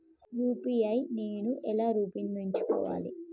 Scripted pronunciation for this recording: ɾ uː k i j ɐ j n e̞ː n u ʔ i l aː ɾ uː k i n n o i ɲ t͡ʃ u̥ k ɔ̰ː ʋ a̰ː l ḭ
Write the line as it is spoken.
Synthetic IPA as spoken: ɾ uː p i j ɐ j n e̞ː n u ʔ ɛ l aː ɾ uː p i n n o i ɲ t͡ʃ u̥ k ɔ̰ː ʋ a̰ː l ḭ